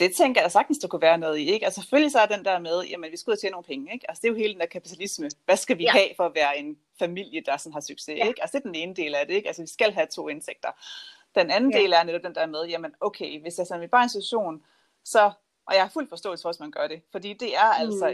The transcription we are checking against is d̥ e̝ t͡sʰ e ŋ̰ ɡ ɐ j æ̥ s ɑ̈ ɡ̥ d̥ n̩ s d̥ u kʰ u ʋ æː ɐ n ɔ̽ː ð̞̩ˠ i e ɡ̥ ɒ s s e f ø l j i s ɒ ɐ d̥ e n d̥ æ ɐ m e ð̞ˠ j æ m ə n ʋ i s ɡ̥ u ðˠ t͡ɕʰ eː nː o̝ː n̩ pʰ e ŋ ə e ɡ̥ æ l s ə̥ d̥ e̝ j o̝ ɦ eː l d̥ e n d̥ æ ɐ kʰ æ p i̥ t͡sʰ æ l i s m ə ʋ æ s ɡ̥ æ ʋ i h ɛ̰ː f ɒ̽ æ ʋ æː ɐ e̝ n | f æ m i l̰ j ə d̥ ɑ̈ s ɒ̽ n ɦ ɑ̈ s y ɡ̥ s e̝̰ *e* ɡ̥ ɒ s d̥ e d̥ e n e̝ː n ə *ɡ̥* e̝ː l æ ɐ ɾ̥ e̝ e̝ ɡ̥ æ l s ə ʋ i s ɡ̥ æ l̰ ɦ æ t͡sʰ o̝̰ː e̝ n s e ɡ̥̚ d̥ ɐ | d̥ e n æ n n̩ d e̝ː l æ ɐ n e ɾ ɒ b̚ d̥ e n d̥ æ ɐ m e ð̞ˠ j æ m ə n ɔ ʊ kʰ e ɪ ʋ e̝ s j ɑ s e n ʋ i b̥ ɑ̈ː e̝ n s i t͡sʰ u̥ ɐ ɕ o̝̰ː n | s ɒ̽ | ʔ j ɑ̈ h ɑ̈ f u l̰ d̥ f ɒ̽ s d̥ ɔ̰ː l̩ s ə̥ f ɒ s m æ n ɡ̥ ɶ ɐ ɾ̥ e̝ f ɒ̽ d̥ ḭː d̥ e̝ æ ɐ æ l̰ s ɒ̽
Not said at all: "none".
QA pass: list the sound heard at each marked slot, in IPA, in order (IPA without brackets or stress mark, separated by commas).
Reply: e, d̥